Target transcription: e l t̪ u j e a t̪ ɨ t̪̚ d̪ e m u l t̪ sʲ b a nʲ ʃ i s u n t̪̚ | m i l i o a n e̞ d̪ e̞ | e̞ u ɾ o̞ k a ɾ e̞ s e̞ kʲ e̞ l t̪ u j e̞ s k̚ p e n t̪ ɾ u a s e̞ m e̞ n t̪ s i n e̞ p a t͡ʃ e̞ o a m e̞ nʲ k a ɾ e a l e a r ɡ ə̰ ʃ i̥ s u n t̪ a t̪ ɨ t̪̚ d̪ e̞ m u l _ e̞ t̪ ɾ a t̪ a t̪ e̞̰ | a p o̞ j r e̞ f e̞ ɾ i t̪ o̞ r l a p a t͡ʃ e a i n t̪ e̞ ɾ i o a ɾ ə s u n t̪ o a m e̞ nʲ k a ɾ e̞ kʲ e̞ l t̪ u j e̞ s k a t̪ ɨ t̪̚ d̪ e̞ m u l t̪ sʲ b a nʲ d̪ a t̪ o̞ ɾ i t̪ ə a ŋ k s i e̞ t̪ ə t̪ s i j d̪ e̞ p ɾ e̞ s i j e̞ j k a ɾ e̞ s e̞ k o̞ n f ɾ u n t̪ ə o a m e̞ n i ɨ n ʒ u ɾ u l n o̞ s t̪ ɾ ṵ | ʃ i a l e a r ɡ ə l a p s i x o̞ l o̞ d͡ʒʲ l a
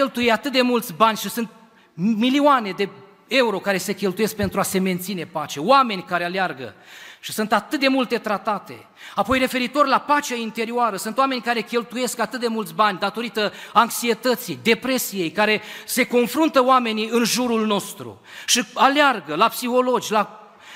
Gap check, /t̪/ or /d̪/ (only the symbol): t̪